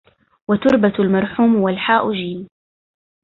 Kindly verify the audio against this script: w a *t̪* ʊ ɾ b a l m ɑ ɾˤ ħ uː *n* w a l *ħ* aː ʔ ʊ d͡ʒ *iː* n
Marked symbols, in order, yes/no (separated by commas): yes, no, yes, yes